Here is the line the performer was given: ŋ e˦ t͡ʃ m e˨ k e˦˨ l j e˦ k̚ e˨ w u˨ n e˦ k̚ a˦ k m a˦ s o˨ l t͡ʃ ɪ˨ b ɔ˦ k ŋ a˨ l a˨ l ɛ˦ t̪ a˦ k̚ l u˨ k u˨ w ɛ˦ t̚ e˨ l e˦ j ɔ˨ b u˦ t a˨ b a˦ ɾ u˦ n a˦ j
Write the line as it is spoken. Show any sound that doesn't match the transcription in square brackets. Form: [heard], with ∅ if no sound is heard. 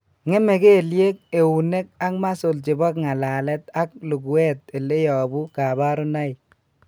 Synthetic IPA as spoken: ŋ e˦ [∅] m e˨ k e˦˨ l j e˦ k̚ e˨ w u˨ n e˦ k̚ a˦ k m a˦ s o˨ l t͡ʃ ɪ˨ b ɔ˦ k ŋ a˨ l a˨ l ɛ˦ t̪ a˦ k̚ l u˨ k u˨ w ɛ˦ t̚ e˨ l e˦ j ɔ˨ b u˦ [k] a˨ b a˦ ɾ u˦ n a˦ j